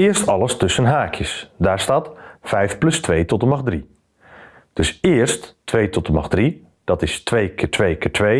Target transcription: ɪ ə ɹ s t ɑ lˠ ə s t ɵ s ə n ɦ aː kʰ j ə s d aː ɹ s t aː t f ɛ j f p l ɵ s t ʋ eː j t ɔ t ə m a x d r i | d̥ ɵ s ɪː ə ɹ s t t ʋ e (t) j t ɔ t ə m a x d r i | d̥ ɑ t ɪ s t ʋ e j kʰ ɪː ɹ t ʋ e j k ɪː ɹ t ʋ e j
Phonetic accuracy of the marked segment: incorrect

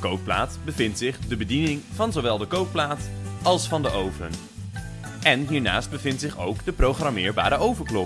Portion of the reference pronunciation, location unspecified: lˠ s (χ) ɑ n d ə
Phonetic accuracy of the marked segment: incorrect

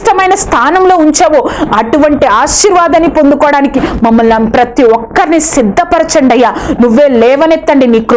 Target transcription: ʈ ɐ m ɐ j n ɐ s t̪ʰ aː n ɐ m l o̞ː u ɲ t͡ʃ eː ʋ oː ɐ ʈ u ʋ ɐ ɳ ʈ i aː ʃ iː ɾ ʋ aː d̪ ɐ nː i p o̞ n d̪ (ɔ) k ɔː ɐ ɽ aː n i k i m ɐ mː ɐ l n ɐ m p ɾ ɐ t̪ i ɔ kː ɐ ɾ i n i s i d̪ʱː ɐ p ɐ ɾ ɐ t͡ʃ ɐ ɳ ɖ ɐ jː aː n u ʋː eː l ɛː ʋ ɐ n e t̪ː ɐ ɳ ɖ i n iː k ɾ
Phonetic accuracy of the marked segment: incorrect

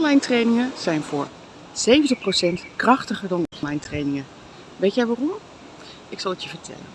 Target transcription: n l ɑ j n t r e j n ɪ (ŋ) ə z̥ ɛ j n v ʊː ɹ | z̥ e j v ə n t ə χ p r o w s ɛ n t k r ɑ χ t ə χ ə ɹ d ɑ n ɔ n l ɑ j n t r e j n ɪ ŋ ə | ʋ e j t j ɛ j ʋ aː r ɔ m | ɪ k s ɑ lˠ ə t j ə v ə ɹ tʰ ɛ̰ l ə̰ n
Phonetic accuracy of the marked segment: correct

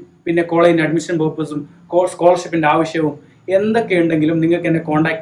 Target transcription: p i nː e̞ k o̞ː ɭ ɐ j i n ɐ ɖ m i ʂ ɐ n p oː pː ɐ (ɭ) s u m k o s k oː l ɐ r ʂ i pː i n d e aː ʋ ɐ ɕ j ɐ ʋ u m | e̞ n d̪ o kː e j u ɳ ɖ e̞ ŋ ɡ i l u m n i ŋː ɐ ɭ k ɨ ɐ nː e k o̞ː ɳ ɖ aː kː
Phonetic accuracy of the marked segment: incorrect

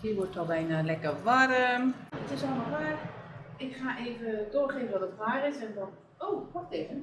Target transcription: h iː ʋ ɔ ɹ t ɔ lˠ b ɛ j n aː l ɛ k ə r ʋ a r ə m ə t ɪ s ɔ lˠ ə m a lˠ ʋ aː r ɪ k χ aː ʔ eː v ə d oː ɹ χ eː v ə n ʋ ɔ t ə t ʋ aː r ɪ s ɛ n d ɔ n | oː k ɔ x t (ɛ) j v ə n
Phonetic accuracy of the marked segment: incorrect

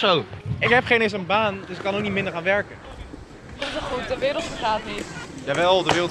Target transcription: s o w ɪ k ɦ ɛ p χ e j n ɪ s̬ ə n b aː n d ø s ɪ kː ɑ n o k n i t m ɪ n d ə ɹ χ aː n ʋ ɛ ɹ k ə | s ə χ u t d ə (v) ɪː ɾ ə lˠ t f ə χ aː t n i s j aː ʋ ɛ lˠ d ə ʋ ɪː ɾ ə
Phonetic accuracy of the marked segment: incorrect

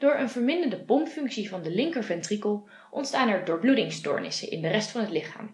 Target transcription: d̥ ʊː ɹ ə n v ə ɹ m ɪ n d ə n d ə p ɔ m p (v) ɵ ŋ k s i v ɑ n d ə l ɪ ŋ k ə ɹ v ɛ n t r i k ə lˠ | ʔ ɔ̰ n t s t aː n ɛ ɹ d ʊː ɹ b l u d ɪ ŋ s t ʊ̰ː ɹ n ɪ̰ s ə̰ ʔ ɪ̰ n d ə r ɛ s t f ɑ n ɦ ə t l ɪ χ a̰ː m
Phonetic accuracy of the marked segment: incorrect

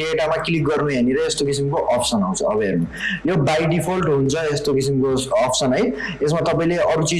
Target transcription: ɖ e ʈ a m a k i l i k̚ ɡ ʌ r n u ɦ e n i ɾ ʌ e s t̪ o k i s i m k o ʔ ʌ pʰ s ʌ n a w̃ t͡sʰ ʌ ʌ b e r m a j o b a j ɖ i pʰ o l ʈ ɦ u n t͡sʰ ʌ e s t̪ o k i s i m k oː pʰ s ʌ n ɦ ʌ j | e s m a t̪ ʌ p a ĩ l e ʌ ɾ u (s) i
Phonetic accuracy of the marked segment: incorrect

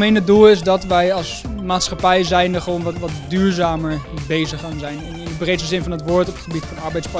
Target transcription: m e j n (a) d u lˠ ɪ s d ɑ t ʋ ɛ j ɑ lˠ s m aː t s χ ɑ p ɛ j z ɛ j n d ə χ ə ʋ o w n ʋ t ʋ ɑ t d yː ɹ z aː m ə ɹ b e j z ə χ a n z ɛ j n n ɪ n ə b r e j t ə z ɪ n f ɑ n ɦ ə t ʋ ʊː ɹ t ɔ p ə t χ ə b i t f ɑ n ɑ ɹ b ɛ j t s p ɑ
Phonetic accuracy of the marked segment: incorrect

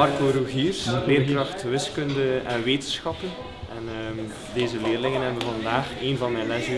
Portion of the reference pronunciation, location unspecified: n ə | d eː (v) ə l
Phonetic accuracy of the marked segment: incorrect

